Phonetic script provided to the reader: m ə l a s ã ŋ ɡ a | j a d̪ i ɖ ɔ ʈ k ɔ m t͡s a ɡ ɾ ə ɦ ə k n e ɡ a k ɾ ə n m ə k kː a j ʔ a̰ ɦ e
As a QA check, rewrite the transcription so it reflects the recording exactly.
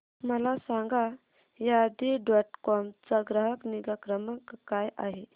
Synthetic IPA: m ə l a s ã ŋ ɡ a | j a d̪ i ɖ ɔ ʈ k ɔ m t͡s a ɡ ɾ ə ɦ ə k n i ɡ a k ɾ ə m ə k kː a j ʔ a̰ ɦ e